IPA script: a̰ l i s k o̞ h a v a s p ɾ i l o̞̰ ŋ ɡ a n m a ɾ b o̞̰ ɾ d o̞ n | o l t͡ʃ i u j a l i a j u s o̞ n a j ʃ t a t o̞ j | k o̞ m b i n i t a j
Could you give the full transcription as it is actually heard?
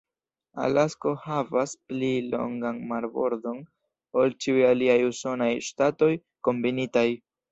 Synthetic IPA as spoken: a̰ l a s k o̞ h a v a s p l i l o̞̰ ŋ ɡ a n m a ɾ b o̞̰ ɾ d o̞ n | o l t͡ʃ i u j a l i a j u s o̞ n a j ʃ t a t o̞ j | k o̞ m b i n i t a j